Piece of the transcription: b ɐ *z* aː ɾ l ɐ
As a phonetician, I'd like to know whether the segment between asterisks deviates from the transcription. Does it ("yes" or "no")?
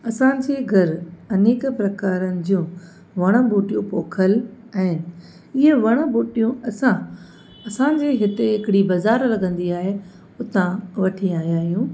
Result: no